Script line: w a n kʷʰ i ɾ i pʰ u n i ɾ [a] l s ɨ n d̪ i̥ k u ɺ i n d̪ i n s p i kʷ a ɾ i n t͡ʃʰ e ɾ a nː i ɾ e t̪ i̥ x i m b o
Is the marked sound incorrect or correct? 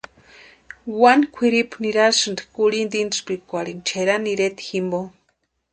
correct